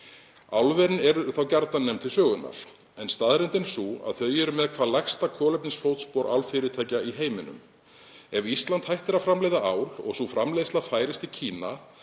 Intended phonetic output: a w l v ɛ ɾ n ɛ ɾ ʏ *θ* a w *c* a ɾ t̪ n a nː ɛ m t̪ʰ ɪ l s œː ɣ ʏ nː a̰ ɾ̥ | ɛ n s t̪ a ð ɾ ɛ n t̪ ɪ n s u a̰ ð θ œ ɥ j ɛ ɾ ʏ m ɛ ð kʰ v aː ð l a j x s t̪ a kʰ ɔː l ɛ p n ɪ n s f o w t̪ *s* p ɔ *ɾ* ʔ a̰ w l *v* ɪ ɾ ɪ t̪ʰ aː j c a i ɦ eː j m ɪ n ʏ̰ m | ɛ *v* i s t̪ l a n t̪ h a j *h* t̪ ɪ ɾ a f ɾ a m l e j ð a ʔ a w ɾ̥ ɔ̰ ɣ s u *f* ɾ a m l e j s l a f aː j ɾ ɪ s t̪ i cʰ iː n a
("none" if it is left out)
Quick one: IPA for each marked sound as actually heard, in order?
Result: θ, c, s, ɾ, f, v, h, f

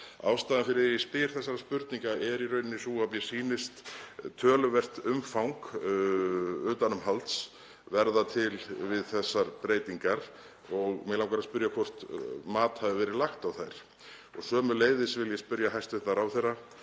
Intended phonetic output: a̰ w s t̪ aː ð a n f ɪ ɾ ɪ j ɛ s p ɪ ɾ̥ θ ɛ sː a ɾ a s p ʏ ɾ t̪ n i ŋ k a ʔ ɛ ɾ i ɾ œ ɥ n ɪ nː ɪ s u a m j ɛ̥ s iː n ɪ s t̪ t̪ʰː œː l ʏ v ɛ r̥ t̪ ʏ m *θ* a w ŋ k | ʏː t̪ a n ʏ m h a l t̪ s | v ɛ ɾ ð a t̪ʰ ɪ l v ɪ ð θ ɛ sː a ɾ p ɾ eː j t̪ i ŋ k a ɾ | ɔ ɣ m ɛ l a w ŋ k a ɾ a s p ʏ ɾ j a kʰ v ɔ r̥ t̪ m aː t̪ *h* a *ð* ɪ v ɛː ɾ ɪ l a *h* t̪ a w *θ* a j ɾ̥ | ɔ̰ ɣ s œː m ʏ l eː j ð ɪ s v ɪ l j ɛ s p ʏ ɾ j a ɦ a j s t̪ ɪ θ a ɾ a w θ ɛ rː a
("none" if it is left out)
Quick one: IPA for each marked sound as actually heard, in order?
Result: f, h, v, x, θ

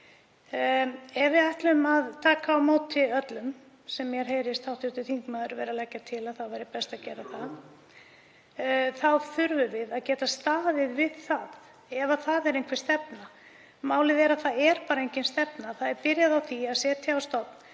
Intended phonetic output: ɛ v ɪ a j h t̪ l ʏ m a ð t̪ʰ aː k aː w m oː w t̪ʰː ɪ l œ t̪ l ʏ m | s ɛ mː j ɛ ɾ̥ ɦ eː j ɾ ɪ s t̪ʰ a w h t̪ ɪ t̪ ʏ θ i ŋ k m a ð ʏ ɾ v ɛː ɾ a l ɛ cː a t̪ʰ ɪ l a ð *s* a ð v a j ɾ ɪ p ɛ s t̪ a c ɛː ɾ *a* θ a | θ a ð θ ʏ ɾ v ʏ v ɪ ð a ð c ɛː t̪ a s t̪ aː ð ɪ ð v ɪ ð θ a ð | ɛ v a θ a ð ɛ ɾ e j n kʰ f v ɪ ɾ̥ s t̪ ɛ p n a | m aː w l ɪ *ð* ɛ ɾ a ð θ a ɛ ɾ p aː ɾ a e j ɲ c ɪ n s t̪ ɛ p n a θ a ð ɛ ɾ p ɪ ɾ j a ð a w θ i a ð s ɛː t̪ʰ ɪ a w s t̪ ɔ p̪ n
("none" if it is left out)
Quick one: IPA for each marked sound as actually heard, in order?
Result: θ, a, ð

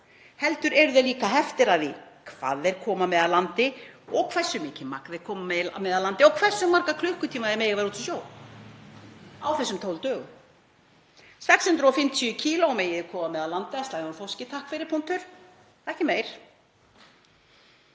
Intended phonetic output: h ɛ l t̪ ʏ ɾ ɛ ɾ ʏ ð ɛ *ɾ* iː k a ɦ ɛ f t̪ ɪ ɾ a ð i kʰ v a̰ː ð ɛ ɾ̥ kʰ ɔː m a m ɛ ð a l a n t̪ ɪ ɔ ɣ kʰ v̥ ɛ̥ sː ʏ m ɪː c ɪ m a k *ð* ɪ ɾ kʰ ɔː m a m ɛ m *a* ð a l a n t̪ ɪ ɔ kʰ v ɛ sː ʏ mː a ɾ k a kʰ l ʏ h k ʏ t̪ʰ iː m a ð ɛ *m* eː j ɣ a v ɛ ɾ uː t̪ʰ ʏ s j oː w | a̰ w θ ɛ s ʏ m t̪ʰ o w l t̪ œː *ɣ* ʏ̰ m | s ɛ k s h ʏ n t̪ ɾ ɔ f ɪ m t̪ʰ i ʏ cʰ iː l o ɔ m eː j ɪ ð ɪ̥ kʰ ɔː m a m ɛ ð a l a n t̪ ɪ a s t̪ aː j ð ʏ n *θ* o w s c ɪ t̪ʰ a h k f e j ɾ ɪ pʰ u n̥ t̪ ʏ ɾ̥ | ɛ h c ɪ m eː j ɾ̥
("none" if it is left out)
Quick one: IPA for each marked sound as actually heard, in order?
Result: l, ð, ɛ, m, ɣ, f

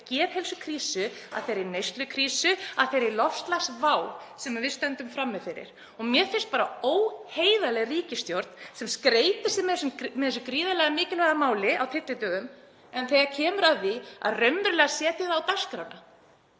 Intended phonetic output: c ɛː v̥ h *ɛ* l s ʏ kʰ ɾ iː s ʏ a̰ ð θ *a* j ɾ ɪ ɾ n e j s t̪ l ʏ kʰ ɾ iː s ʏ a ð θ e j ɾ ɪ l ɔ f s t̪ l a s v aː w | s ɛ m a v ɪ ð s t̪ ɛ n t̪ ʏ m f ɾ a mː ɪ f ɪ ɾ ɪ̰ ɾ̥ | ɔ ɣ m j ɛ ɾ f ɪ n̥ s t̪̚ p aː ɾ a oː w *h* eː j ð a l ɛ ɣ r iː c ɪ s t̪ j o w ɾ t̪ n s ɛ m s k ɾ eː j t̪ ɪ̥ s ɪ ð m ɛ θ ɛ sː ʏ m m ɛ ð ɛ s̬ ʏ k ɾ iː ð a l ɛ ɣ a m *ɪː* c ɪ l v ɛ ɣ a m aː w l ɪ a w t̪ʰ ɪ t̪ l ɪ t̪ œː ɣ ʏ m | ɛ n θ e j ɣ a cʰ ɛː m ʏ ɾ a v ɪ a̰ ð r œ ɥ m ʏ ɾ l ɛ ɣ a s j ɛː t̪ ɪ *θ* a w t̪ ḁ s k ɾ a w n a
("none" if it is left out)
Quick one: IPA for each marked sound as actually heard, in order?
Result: ɛ, e, h, ɪː, ð

